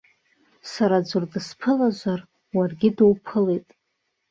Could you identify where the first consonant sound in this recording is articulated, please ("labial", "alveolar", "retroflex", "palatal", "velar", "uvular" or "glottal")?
alveolar